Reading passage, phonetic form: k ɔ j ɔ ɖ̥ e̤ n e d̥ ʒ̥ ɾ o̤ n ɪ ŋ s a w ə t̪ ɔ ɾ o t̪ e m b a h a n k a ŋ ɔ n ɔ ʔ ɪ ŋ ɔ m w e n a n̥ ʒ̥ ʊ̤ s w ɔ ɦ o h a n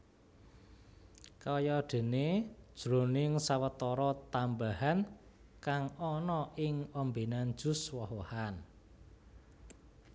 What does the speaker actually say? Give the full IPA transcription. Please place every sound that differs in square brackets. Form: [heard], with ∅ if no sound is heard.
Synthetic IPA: k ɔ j ɔ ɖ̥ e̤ n e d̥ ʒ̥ ɾ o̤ n ɪ ŋ s a w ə t̪ ɔ ɾ [ɔ] t̪ [a] m b a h a n k a ŋ ɔ n ɔ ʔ ɪ ŋ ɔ m [b] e n a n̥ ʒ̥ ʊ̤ s w ɔ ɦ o h a n